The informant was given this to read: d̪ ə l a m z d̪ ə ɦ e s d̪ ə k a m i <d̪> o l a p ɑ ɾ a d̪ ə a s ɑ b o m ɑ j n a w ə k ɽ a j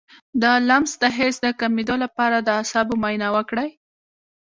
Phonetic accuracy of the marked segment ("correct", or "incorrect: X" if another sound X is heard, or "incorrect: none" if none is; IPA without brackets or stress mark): correct